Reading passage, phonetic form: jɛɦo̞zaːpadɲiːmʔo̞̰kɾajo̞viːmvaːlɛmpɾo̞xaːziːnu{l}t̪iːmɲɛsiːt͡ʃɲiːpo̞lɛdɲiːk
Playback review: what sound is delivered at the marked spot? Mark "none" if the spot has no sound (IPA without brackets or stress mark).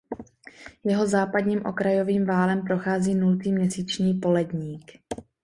l